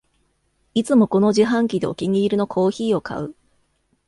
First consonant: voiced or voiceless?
voiceless